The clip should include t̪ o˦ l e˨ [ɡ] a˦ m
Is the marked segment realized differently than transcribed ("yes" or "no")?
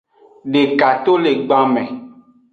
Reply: yes